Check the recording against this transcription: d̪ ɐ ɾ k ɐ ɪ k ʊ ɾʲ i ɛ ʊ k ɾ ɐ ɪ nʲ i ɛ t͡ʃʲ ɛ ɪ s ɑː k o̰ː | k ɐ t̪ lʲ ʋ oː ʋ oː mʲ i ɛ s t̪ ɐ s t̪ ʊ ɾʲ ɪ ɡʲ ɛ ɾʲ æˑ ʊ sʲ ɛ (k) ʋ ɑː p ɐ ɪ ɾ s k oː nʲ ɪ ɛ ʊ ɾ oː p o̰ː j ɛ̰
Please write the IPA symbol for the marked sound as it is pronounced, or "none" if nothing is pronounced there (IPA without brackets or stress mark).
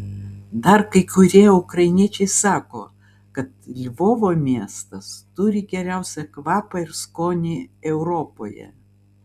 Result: k